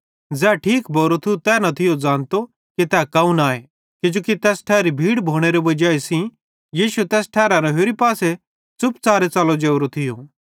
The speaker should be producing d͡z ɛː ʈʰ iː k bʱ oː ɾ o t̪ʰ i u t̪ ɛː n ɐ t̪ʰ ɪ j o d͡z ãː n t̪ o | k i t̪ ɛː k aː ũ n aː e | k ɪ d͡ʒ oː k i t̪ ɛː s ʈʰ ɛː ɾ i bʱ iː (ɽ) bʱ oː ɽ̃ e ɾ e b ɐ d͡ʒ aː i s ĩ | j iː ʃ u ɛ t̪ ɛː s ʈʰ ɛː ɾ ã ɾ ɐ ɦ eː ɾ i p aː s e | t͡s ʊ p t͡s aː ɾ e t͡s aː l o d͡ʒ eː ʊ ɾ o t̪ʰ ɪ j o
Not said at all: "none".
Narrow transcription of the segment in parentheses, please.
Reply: ɽ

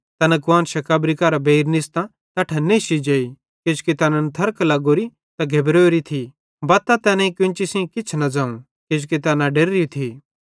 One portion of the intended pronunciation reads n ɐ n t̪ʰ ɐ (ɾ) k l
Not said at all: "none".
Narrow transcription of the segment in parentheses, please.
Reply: ɾ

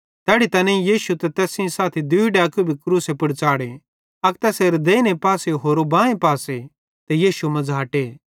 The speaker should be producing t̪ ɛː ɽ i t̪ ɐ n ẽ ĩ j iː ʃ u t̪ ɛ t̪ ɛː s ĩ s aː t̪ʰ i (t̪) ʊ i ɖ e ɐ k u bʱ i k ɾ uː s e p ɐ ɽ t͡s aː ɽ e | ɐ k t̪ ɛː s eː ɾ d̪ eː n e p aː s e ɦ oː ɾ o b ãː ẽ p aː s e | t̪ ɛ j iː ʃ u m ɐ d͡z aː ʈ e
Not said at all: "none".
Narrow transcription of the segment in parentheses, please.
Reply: d̪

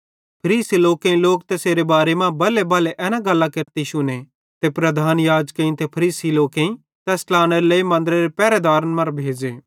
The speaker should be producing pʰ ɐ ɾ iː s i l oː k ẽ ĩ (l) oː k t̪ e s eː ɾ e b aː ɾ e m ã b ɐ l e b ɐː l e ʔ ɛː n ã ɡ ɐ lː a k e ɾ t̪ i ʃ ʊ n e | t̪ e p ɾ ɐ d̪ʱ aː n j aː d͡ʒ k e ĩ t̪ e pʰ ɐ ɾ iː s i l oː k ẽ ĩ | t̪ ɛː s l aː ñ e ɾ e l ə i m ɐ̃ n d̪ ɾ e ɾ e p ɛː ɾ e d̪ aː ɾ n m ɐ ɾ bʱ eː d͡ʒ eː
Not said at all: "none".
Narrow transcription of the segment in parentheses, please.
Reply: l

